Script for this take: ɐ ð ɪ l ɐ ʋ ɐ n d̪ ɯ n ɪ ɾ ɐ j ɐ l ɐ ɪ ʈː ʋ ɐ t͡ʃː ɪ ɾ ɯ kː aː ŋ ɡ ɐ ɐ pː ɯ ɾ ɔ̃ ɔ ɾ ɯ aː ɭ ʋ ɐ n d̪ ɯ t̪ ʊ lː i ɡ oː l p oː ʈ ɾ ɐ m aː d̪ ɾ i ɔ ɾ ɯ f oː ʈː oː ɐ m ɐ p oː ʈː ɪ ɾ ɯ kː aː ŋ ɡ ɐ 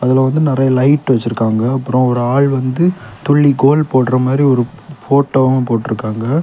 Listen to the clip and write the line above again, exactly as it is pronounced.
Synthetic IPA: ɐ ð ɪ l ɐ ʋ ɐ n d̪ ɯ n ɪ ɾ ɐ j ɐ l ɐ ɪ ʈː ʋ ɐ t͡ʃː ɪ ɾ ɯ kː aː ŋ ɡ ɐ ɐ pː ɯ ɾ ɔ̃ ɔ ɾ ɯ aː ɭ ʋ ɐ n d̪ ɯ t̪ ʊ ɭː i ɡ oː l p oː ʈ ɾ ɐ m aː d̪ ɾ i ɔ ɾ ɯ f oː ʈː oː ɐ m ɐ p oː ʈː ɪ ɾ ɯ kː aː ŋ ɡ ɐ

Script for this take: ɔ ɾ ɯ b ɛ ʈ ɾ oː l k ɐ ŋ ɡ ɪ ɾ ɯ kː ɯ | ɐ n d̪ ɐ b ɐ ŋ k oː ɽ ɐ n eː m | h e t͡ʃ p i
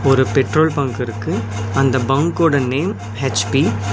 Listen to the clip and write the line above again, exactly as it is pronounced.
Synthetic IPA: ɔ ɾ ɯ p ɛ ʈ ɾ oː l p ɐ ŋ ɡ ɪ ɾ ɯ kː ɯ | ɐ n d̪ ɐ b ɐ ŋ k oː ɽ ɐ n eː m | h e t͡ʃ p i

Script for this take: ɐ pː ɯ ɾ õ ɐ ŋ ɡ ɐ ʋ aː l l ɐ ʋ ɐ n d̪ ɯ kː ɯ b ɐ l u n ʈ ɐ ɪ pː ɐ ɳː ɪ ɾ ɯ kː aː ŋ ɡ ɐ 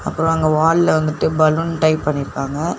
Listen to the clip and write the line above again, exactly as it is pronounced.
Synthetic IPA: ɐ pː ɯ ɾ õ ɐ ŋ ɡ ɐ ʋ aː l l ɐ ʋ ɐ n d̪ ɯ ʈː ɯ b ɐ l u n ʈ ɐ ɪ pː ɐ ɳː ɪ ɾ ɯ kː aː ŋ ɡ ɐ

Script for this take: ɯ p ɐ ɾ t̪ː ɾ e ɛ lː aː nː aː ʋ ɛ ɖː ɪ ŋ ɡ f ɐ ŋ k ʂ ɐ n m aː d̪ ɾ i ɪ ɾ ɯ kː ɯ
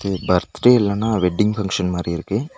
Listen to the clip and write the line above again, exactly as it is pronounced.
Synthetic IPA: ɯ b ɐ ɾ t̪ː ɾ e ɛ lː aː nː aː ʋ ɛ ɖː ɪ ŋ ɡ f ɐ ŋ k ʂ ɐ n m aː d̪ ɾ i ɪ ɾ ɯ kː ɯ

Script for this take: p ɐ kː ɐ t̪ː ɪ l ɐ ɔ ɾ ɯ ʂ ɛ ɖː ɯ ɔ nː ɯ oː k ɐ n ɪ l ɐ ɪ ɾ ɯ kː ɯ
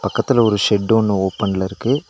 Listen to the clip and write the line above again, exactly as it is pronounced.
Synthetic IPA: p ɐ kː ɐ t̪ː ɪ l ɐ ɔ ɾ ɯ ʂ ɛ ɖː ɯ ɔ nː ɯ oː p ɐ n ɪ l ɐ ɪ ɾ ɯ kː ɯ

